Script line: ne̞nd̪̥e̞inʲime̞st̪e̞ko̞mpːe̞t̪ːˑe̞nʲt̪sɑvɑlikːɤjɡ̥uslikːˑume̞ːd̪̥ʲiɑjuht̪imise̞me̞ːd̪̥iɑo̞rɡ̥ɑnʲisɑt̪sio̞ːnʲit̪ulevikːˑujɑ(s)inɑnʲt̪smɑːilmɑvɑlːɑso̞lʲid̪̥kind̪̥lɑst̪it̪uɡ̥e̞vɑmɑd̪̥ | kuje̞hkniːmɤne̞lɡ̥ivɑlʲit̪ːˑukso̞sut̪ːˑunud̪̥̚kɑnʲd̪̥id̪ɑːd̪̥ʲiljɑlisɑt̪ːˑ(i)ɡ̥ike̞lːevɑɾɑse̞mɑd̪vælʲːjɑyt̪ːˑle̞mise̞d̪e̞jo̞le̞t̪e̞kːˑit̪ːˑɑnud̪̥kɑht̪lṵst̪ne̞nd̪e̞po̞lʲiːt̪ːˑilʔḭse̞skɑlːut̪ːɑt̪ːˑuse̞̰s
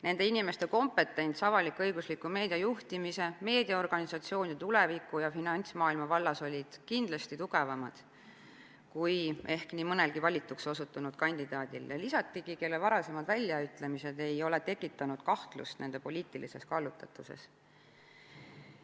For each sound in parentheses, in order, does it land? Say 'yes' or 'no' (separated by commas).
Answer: no, yes